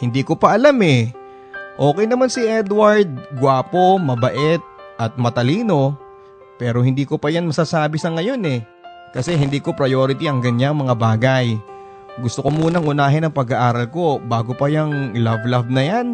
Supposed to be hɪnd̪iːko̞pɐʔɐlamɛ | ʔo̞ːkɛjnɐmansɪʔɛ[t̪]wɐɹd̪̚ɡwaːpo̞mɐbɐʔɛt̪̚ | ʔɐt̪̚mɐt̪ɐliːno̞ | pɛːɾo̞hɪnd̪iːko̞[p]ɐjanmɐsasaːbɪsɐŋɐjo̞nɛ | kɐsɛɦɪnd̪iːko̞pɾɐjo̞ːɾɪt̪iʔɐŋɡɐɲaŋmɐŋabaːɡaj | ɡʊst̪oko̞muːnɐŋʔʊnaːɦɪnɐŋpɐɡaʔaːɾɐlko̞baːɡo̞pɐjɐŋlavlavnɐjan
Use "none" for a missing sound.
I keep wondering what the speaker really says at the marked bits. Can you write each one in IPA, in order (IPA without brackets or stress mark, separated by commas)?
d̪, p